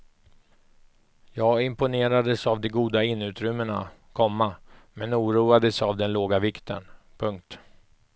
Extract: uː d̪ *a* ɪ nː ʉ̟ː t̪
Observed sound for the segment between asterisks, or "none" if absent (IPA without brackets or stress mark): a